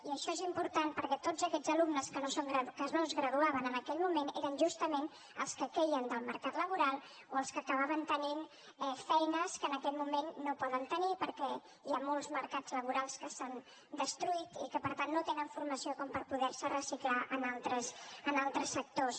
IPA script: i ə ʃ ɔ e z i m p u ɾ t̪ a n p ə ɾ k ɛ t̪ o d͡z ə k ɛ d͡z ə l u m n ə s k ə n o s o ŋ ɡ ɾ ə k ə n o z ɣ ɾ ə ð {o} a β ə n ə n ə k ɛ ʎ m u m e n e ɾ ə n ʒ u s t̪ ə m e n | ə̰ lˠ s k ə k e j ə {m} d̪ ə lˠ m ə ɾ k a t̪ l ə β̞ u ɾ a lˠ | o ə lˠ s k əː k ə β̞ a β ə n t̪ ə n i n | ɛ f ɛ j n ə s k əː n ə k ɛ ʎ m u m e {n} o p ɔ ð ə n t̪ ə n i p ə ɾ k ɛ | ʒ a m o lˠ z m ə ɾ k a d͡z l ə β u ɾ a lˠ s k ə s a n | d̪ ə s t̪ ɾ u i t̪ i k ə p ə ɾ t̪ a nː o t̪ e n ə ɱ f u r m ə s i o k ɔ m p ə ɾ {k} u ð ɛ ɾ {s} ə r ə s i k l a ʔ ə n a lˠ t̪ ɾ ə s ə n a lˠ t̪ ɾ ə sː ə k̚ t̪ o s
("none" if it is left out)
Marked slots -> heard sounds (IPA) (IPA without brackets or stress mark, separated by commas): u, n, nː, p, s